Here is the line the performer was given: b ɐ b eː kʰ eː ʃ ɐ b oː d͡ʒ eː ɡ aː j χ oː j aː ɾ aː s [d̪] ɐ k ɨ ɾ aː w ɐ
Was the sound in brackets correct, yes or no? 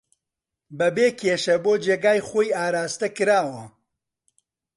no